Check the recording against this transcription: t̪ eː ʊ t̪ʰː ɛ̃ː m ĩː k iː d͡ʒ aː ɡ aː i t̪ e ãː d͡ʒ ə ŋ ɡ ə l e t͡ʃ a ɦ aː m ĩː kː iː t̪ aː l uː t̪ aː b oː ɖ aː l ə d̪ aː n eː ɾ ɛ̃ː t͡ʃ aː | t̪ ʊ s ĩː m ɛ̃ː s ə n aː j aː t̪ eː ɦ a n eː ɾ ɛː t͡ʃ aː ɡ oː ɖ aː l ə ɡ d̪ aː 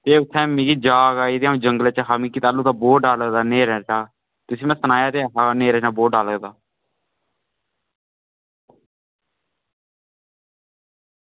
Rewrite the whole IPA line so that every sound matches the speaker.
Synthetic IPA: t̪ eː ʊ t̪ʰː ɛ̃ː m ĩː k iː d͡ʒ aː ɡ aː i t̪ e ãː d͡ʒ ə ŋ ɡ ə l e t͡ʃ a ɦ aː m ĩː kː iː t̪ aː l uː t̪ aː b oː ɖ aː l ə d̪ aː n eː ɾ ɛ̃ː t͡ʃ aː | t̪ ʊ s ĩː m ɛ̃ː s ə n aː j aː t̪ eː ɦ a n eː ɾ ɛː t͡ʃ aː b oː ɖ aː l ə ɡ d̪ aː